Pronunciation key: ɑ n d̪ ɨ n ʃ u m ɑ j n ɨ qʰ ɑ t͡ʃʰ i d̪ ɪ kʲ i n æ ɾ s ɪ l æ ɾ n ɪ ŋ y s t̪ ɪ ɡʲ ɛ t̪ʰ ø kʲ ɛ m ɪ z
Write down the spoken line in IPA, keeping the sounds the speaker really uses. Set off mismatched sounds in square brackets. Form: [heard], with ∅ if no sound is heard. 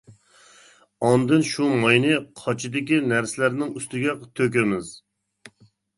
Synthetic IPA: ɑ n d̪ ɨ n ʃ u m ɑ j n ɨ qʰ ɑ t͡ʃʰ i d̪ ɪ kʲ i n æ ɾ s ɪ l æ ɾ n ɪ ŋ y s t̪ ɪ ɡʲ ɛ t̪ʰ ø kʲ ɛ m ɪ z